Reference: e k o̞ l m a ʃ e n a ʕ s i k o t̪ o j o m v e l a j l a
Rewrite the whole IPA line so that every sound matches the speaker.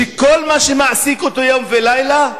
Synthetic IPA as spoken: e k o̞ l m a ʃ e m a ʕ s i k o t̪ o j o m v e l a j l a